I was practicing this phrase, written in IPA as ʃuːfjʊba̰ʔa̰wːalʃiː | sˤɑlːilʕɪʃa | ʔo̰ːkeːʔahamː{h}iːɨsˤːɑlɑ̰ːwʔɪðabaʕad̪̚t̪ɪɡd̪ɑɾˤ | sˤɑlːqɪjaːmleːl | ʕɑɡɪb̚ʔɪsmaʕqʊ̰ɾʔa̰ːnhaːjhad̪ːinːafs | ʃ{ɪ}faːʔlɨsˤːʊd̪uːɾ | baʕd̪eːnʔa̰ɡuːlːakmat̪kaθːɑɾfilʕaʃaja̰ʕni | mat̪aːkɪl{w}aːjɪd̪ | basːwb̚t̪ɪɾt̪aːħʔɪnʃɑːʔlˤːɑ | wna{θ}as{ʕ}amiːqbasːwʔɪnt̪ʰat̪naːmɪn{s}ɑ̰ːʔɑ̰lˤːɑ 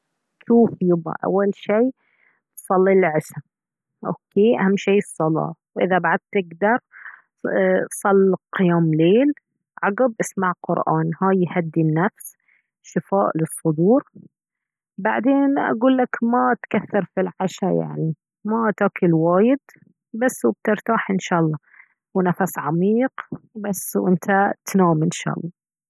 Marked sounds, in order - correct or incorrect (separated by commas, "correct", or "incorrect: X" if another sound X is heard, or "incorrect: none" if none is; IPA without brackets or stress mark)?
incorrect: ʃ, correct, correct, incorrect: f, correct, incorrect: ʃ